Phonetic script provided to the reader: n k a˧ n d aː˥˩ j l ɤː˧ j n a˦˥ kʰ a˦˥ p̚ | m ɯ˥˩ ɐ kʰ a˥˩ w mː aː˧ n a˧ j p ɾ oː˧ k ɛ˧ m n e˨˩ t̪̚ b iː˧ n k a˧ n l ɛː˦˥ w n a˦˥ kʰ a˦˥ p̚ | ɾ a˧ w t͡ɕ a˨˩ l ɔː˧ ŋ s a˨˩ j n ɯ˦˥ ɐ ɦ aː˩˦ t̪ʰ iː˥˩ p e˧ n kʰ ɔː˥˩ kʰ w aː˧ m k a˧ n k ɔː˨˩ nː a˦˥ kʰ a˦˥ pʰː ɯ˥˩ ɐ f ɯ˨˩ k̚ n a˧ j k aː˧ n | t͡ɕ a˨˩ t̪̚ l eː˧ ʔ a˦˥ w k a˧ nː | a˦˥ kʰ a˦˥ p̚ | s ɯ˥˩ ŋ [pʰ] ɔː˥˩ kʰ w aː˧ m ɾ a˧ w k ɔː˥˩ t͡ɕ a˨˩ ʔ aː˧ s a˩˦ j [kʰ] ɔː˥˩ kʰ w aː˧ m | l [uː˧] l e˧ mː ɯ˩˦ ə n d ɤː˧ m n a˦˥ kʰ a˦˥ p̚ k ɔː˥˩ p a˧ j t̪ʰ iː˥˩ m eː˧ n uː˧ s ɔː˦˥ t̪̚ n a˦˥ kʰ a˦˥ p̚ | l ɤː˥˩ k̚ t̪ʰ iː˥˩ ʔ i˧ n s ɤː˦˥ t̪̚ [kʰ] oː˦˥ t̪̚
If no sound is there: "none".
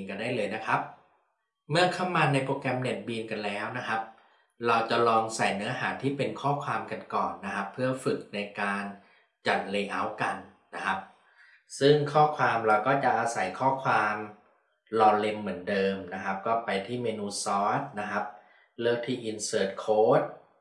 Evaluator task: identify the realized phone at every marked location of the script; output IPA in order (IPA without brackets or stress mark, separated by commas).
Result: kʰ, kʰ, ɔː˧, kʰ